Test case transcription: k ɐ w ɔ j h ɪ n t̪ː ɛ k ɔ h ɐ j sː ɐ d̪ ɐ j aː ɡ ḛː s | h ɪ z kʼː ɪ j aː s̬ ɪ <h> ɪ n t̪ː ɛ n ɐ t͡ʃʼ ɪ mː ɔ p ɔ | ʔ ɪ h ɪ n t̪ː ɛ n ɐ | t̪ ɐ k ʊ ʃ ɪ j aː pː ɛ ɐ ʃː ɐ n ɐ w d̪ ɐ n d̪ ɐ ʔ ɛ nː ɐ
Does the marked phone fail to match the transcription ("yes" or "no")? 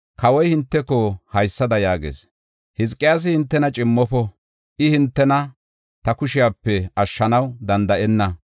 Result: no